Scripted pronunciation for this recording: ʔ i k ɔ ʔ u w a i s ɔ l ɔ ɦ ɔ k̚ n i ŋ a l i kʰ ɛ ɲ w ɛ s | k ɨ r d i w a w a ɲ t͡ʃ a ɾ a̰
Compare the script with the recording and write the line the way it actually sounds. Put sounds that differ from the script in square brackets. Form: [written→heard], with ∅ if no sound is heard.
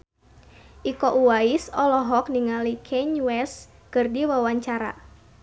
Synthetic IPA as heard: ʔ i k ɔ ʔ u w a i s ɔ l ɔ ɦ ɔ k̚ n i ŋ a l i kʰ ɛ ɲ w ɛ s | k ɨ r d i w a w a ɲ t͡ʃ a ɾ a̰